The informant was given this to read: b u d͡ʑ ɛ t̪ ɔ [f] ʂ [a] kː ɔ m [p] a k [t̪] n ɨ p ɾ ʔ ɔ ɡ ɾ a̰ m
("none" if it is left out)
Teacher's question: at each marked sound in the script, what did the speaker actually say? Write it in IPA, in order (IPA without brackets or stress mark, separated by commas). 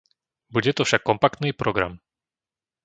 f, a, p, t̪